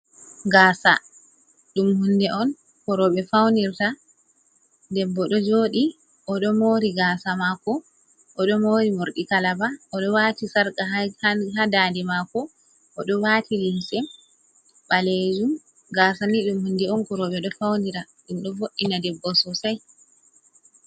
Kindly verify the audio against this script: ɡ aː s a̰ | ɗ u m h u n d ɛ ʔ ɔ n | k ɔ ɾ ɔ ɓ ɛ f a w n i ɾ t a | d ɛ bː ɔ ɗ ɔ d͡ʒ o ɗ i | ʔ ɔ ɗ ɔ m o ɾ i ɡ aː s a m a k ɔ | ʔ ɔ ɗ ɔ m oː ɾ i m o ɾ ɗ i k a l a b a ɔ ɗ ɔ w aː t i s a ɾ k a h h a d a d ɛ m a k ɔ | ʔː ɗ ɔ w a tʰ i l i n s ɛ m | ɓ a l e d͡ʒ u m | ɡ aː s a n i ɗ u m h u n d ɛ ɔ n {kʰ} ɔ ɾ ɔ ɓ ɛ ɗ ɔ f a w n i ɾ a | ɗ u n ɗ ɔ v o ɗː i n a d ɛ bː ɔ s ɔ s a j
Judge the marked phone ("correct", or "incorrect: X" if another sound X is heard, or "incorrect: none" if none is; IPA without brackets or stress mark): incorrect: k